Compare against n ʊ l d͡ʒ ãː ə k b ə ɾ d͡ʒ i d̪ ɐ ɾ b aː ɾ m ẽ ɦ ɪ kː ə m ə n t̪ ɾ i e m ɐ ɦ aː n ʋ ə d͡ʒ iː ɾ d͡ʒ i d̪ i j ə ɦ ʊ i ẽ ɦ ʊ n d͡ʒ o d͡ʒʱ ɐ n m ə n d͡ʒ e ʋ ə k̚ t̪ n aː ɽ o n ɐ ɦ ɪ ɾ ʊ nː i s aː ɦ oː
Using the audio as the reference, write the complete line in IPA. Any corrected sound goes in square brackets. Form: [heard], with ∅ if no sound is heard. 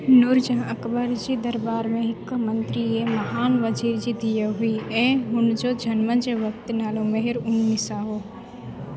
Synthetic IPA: n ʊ [ɾ] d͡ʒ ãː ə k b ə ɾ d͡ʒ i d̪ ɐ ɾ b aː ɾ m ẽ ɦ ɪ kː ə m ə n t̪ ɾ i e m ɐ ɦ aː n ʋ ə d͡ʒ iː ɾ d͡ʒ i d̪ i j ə ɦ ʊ i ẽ ɦ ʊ n d͡ʒ o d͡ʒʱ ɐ n m ə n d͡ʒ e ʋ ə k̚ t̪ n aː [l] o [m] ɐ ɦ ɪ ɾ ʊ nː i s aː ɦ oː

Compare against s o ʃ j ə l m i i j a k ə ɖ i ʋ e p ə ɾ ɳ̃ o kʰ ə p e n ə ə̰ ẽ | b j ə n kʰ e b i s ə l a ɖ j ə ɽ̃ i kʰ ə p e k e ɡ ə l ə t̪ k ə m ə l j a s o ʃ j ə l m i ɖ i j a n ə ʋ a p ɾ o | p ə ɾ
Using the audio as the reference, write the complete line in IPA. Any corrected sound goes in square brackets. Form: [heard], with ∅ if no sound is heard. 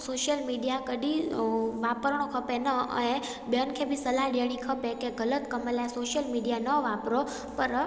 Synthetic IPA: s o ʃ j ə l m i i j a k ə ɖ i ʋ [a] p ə ɾ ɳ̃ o kʰ ə p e n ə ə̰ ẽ | b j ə n kʰ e b i s ə l a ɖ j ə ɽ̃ i kʰ ə p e k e ɡ ə l ə t̪ k ə m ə l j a s o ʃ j ə l m i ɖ i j a n ə ʋ a p ɾ o | p ə ɾ

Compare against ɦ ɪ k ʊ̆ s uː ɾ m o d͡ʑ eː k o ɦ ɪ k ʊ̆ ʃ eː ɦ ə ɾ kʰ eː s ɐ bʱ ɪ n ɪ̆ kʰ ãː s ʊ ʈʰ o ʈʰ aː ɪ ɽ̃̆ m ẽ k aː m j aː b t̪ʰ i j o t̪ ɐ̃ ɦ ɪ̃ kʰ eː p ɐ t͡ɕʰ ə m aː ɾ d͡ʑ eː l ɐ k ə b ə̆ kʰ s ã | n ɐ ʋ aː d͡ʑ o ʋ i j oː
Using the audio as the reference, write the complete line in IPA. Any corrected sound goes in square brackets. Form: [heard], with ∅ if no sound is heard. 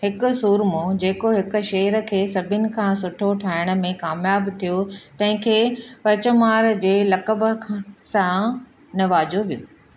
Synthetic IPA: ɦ ɪ k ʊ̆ s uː ɾ m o d͡ʑ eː k o ɦ ɪ k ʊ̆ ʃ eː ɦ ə ɾ kʰ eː s ɐ bʱ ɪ n ɪ̆ kʰ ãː s ʊ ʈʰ o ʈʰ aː ɪ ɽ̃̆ m ẽ k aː m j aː b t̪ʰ i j o t̪ ɐ̃ ɦ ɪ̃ kʰ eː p ɐ [t͡ɕ] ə m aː ɾ d͡ʑ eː l ɐ k ə b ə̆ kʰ s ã | n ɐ ʋ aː d͡ʑ o ʋ i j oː

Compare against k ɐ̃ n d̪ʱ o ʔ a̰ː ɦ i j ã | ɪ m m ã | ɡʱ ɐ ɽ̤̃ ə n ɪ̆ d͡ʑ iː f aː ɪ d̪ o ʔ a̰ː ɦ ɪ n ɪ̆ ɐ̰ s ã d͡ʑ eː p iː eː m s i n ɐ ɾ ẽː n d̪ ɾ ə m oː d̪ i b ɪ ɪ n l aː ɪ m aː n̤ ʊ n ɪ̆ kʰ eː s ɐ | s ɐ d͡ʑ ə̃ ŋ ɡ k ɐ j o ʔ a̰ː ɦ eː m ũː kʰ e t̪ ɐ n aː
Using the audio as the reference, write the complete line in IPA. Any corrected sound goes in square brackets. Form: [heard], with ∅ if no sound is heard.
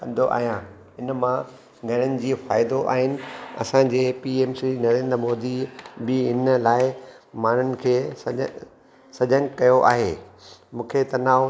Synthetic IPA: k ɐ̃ n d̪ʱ o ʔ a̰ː ɦ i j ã | ɪ [n] m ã | ɡʱ ɐ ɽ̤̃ ə n ɪ̆ d͡ʑ iː f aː ɪ d̪ o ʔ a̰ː ɦ ɪ n ɪ̆ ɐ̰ s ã d͡ʑ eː p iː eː m s i n ɐ ɾ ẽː n d̪ ɾ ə m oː d̪ i b ɪ ɪ n l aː ɪ m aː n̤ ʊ n ɪ̆ kʰ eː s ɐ | s ɐ d͡ʑ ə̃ ŋ ɡ k ɐ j o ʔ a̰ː ɦ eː m ũː kʰ e t̪ ɐ n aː

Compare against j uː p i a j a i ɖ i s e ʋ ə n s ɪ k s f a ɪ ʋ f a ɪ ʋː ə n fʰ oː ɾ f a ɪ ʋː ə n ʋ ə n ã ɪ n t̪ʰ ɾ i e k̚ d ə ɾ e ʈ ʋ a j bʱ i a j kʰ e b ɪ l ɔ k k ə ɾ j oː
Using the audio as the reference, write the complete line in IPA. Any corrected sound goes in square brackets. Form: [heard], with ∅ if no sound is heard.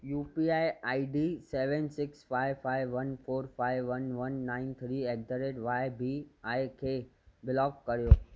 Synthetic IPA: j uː p i a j a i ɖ i s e ʋ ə n s ɪ k s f a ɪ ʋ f a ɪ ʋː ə n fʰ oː ɾ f a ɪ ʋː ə n ʋ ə [nː] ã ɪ n t̪ʰ ɾ i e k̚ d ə ɾ e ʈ ʋ a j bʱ i a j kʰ e b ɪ l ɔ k k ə ɾ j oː

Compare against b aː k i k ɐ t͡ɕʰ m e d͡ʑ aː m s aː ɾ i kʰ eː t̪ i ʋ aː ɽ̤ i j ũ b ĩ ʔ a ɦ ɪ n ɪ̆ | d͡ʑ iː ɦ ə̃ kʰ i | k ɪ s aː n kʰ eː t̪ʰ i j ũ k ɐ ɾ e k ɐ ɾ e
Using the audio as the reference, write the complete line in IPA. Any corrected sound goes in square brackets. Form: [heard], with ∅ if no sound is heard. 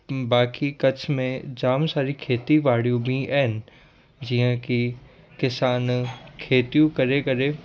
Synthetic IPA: b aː k i k ɐ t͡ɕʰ m [ẽ] d͡ʑ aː m s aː ɾ i kʰ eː t̪ i ʋ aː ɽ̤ i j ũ b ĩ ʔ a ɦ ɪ n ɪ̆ | d͡ʑ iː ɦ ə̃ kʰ i | k ɪ s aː n kʰ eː [t̪] i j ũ k ɐ ɾ e k ɐ ɾ e

